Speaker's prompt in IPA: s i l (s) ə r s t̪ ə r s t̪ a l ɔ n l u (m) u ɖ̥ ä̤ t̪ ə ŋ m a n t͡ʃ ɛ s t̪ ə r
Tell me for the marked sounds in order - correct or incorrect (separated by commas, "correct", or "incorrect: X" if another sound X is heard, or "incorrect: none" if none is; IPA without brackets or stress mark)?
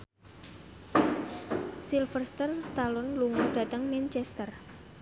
incorrect: f, incorrect: ŋ